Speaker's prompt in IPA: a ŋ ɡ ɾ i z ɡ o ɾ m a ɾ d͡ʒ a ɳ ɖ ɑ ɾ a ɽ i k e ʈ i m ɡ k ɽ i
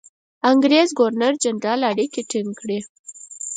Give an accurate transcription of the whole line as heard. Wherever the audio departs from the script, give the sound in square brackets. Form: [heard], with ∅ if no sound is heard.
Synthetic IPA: a ŋ ɡ ɾ [e] z ɡ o ɾ [n] a ɾ d͡ʒ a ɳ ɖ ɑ [l] a ɽ i k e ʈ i [ŋ] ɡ k ɽ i

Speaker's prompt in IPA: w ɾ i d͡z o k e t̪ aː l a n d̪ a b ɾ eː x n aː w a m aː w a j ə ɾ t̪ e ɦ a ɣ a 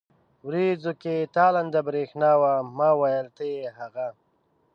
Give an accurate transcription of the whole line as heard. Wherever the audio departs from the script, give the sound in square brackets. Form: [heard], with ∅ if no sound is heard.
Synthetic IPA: w ɾ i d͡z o k e t̪ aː l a n d̪ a b ɾ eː x n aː w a m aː w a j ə [l] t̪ e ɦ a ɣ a

